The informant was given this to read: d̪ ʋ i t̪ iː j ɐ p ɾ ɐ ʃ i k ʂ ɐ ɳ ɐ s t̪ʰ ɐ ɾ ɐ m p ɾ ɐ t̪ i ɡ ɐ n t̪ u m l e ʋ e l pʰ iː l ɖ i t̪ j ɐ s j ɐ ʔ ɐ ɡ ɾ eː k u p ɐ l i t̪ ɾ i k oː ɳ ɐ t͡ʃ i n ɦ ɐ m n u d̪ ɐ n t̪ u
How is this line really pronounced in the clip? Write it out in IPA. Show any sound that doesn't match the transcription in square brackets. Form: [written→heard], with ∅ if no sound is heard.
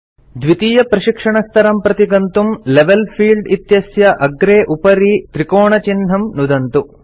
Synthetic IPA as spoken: d̪ ʋ i t̪ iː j ɐ p ɾ ɐ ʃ i k ʂ ɐ ɳ ɐ s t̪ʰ ɐ ɾ ɐ m p ɾ ɐ t̪ i ɡ ɐ n t̪ u m l e ʋ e l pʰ iː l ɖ i t̪ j ɐ s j ɐ ʔ ɐ ɡ ɾ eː [k→ʔ] u p ɐ [l→ɾ] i t̪ ɾ i k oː ɳ ɐ t͡ʃ i n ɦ ɐ m n u d̪ ɐ n t̪ u

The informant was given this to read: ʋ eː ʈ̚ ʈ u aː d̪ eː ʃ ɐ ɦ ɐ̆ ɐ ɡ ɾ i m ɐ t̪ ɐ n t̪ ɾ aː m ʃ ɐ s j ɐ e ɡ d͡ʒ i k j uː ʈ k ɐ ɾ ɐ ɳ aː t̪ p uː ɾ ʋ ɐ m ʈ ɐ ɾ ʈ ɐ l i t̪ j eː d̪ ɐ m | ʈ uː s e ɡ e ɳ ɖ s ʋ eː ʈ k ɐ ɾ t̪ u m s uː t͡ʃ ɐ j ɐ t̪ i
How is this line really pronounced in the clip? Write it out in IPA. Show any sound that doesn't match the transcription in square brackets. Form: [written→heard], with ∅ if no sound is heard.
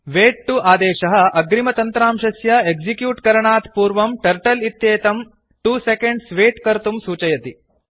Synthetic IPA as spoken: ʋ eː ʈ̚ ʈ u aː d̪ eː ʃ ɐ ɦ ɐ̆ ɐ ɡ ɾ i m ɐ t̪ ɐ n t̪ ɾ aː m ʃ ɐ s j ɐ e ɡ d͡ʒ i k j uː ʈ k ɐ ɾ ɐ ɳ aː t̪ p uː ɾ ʋ ɐ m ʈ ɐ ɾ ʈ ɐ l i t̪ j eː [d̪→t̪] ɐ m | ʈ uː s e [ɡ→k] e ɳ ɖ s ʋ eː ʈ k ɐ ɾ t̪ u m s uː t͡ʃ ɐ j ɐ t̪ i

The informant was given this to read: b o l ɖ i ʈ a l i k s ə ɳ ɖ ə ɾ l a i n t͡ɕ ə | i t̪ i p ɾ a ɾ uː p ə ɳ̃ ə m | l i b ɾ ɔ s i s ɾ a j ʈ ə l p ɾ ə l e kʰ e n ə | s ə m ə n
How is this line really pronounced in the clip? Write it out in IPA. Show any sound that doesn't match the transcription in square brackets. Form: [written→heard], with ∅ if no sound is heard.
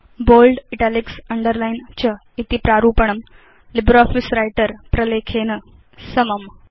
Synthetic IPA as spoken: b o l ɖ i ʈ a l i k s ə ɳ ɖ ə ɾ l a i n t͡ɕ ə | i t̪ i p ɾ a ɾ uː p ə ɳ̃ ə m | l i b ɾ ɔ [s→f] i s ɾ a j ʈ ə [l→ɾ] p ɾ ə l e kʰ e n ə | s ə m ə [n→m]

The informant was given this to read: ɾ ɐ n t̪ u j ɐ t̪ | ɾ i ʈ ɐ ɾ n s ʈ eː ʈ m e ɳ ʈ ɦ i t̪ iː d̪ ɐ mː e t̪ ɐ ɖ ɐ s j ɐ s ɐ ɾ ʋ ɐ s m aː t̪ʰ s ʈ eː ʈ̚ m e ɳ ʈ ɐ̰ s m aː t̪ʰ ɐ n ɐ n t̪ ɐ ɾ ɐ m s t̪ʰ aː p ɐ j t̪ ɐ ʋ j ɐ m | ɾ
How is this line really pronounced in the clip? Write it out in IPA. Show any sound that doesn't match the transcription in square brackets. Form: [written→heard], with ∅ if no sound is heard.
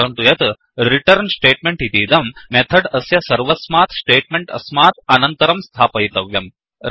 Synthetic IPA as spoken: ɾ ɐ n t̪ u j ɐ t̪ | ɾ i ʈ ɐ ɾ n s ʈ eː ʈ m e ɳ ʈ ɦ i t̪ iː d̪ ɐ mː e [t̪→t̪ʰ] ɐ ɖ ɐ s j ɐ s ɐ ɾ ʋ ɐ s m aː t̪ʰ s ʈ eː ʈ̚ m e ɳ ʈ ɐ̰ s m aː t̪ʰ ɐ n ɐ n t̪ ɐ ɾ ɐ m s t̪ʰ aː p ɐ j t̪ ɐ ʋ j ɐ m | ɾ

